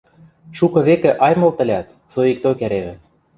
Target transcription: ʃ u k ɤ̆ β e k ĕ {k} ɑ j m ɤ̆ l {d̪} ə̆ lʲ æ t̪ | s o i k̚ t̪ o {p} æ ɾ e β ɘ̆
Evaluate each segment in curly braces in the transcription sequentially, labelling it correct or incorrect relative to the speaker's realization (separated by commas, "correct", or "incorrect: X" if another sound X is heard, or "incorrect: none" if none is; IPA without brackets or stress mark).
incorrect: ʔ, incorrect: t̪, incorrect: k